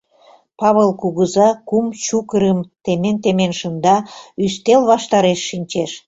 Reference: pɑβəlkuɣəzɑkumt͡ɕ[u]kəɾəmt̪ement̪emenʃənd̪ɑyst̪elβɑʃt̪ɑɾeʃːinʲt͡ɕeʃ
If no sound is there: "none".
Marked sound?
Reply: u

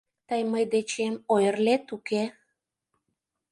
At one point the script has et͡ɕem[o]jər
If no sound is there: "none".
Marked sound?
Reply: o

